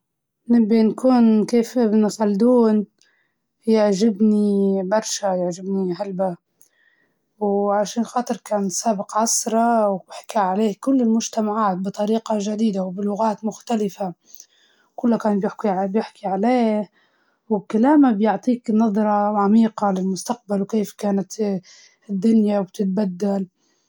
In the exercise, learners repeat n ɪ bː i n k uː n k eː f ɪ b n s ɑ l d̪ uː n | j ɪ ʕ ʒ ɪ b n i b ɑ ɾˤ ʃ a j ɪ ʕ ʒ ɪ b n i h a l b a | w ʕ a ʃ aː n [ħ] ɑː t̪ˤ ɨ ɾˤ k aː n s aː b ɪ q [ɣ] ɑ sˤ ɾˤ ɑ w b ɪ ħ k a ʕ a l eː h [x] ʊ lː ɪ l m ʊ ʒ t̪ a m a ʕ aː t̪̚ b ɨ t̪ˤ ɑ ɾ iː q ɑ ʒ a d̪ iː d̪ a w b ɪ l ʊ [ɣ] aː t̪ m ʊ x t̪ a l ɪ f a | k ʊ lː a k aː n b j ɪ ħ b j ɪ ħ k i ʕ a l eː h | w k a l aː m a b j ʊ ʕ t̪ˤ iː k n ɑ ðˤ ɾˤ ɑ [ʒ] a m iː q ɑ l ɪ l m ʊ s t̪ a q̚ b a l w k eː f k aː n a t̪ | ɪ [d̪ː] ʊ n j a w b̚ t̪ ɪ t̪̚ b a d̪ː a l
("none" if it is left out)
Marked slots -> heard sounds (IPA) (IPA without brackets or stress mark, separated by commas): x, ʕ, k, ɣ, ʕ, d̪ː